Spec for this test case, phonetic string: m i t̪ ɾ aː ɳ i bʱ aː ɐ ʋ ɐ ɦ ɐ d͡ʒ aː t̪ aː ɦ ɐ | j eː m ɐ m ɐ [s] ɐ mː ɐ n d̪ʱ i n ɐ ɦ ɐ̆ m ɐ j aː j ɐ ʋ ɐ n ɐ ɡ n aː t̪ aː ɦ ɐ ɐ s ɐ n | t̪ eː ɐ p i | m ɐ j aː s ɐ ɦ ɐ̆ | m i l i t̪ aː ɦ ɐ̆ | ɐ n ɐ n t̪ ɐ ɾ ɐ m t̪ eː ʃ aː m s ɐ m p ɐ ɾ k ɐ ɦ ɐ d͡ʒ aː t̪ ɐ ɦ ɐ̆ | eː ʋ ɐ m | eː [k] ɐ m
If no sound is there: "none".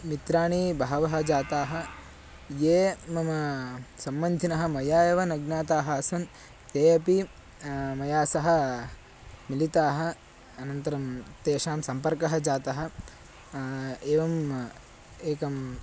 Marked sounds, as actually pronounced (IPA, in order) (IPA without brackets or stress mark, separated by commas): s, k